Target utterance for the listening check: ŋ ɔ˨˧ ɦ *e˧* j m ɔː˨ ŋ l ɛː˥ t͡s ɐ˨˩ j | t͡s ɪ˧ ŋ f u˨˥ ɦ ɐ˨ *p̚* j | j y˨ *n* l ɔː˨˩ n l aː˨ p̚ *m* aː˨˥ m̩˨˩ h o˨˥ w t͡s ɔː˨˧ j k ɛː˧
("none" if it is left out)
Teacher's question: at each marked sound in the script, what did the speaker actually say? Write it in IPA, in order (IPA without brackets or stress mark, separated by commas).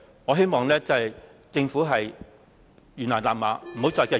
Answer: e˥, none, n, m